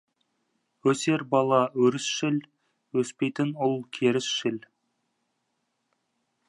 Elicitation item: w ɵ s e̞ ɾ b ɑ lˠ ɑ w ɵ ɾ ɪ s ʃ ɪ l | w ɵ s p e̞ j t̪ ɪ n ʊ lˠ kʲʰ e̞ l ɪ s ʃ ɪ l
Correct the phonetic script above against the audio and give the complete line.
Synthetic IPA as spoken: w ɵ s e̞ ɾ b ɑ lˠ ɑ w ɵ ɾ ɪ s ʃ ɪ l | w ɵ s p e̞ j t̪ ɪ n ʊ lˠ kʲʰ e̞ ɾ ɪ s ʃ ɪ l